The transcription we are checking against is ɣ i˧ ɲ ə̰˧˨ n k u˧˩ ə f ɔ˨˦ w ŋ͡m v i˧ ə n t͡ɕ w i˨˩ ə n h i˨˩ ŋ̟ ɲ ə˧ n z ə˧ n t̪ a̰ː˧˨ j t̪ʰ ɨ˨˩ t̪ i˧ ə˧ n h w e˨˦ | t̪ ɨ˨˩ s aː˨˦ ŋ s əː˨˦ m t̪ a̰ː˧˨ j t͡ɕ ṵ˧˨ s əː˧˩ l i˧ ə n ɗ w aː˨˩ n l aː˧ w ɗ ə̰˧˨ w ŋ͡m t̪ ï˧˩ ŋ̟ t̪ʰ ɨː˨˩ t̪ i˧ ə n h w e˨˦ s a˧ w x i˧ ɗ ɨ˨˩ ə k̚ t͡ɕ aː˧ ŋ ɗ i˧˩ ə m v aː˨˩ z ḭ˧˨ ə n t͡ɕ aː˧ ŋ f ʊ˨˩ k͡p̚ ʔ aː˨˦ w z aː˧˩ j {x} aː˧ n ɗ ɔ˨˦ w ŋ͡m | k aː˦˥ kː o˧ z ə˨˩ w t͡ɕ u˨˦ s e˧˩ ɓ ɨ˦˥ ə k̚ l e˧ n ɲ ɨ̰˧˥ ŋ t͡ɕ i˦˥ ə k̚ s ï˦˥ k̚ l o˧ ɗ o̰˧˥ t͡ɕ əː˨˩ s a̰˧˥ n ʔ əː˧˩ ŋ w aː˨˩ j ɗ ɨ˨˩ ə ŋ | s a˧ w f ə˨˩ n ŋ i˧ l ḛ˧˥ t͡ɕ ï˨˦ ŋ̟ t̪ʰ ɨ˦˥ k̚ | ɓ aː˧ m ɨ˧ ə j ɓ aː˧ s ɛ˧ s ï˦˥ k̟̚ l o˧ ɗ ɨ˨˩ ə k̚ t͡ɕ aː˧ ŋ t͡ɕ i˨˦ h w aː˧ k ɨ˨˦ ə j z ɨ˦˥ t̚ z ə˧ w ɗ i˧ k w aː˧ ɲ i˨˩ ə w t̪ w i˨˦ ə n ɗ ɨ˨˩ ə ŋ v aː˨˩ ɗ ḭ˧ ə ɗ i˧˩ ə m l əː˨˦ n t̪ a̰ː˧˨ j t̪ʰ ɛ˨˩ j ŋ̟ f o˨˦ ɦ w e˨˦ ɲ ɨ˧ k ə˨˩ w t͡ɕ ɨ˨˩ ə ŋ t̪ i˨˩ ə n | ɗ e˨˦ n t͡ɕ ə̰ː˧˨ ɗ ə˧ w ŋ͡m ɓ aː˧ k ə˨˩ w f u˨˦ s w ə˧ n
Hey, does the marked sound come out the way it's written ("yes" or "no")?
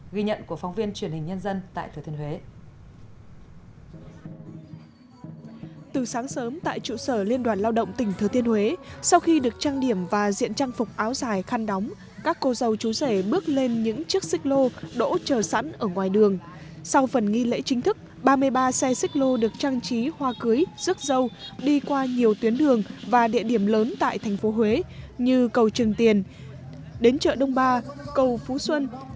yes